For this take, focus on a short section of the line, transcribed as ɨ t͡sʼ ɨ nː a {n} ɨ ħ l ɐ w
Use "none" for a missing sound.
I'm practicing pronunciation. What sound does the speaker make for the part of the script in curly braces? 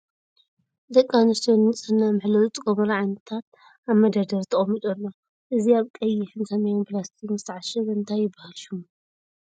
m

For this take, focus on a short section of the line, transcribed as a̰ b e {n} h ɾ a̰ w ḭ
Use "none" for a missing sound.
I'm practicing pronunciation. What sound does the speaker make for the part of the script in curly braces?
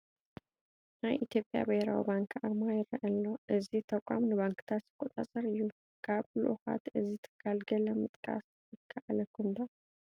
none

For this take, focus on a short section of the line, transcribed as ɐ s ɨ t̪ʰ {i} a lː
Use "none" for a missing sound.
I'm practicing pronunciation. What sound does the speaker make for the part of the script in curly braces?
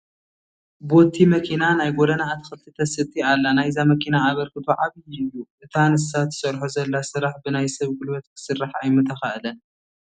i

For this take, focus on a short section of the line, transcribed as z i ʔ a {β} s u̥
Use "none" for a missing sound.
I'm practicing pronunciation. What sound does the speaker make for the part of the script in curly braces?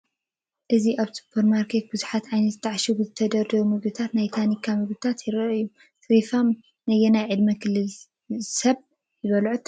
β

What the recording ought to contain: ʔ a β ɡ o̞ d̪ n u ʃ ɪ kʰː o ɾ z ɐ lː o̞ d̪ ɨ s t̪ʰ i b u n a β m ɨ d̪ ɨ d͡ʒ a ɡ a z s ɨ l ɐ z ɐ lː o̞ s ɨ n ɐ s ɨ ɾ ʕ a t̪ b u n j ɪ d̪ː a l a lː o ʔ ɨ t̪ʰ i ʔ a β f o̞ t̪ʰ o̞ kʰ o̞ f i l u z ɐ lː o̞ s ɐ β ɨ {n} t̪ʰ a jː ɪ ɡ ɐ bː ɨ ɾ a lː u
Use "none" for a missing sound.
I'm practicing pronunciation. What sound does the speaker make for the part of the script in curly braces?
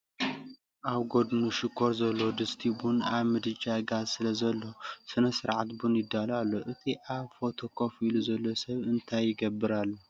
n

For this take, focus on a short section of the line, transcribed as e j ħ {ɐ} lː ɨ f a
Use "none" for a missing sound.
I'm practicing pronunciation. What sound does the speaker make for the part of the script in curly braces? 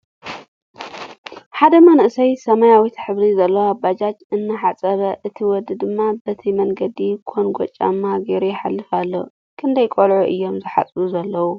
a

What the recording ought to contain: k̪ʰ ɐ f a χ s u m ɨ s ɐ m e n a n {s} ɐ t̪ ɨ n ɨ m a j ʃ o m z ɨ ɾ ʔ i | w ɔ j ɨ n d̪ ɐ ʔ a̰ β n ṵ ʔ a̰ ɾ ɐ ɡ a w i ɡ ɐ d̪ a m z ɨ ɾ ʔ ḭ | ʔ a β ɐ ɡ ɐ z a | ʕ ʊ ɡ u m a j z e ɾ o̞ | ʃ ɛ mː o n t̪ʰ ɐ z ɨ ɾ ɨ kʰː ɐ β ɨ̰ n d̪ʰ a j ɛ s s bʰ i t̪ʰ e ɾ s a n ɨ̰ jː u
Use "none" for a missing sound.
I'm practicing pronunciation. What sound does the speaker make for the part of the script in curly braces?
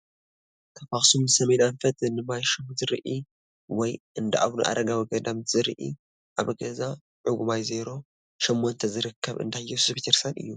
f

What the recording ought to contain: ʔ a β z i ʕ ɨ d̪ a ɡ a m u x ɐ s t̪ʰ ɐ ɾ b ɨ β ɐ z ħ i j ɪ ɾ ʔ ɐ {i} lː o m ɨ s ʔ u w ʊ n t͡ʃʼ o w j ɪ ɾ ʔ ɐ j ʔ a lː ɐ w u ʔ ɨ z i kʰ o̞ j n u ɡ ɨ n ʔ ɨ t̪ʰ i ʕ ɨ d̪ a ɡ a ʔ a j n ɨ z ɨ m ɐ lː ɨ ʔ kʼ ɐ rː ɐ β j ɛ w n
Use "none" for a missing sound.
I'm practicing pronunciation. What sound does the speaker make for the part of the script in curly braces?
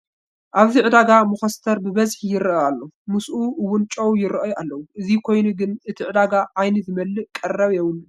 a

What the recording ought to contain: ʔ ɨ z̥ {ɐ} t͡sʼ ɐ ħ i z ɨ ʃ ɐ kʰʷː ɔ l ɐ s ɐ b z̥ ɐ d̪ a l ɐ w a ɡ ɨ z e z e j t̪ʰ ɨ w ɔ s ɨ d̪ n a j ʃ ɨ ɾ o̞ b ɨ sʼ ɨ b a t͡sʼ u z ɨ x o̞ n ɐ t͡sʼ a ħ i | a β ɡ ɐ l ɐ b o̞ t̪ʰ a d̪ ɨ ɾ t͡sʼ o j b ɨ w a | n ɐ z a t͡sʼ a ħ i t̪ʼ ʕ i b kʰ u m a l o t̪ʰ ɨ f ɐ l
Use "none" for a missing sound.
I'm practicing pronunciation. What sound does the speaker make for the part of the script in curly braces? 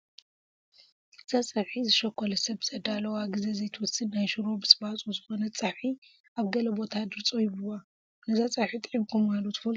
a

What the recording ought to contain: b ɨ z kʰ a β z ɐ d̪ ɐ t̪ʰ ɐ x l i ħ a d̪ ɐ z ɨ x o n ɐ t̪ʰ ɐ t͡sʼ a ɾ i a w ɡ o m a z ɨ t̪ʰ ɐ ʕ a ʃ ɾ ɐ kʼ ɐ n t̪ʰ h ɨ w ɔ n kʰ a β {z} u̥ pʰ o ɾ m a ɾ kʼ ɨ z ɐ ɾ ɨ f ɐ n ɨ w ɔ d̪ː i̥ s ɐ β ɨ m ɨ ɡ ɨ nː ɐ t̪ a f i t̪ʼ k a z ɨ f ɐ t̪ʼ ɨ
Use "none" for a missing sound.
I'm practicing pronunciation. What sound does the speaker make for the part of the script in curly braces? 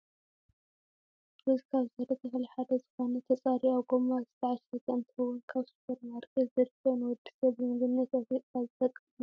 s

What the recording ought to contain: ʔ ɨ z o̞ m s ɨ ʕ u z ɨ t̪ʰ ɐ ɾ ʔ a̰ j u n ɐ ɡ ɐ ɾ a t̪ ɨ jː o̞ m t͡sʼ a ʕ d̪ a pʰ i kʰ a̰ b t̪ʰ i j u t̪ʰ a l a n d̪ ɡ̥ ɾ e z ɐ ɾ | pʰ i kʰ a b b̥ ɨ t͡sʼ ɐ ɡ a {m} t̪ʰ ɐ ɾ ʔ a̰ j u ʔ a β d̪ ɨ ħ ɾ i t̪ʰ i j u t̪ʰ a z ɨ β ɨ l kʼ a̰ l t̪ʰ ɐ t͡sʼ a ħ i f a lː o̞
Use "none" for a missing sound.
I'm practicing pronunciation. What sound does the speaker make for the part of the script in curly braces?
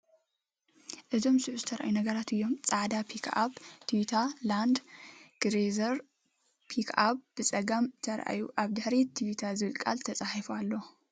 m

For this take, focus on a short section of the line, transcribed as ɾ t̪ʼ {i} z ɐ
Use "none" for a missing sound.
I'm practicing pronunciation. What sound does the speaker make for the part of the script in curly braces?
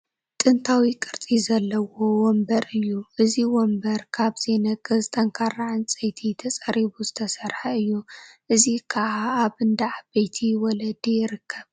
i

